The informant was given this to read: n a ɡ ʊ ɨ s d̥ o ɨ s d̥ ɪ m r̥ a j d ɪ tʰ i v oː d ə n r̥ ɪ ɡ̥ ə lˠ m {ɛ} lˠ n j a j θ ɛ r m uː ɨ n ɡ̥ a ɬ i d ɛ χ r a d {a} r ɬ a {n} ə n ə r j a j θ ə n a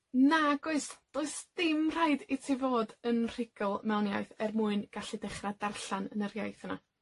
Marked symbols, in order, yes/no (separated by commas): yes, yes, yes